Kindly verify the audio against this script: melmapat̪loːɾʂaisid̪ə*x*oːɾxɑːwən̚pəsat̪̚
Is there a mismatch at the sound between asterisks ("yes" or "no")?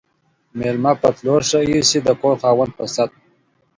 yes